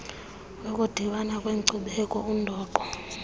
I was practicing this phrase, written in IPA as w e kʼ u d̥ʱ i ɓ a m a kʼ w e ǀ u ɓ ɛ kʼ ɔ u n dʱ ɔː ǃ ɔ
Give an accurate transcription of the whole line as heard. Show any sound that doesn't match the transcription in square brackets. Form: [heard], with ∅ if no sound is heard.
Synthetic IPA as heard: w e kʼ u d̥ʱ i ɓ a [n] a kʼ w e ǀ u ɓ ɛ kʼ ɔ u n dʱ ɔː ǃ ɔ